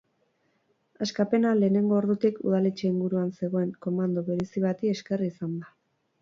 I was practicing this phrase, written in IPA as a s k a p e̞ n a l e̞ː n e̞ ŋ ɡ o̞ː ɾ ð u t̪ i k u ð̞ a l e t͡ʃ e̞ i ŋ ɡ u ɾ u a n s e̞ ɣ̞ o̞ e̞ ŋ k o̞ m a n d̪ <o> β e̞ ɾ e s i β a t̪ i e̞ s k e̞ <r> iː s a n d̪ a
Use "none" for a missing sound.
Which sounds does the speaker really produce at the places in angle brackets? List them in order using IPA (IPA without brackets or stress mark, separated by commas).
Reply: o, r